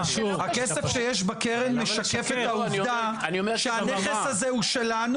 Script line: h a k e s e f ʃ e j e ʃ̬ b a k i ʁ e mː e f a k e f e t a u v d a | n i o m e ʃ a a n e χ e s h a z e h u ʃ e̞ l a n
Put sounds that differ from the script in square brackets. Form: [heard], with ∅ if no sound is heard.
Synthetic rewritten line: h a k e s e f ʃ e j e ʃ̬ b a k [e] ʁ e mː e [ʃ] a k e f e t a u v d a | n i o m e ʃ [e] a n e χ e s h a z e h u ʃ e̞ l a n